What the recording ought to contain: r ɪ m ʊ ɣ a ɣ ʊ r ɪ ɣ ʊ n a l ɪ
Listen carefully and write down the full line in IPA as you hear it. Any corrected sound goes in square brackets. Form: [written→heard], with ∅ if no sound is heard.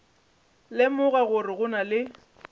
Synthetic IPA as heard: [r→l] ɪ m ʊ ɣ a ɣ ʊ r ɪ ɣ ʊ n a l ɪ